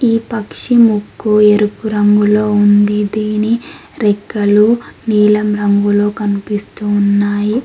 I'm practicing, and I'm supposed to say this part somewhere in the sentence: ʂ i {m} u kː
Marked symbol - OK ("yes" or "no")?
yes